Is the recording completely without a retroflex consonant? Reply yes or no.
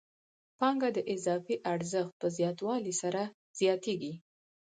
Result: yes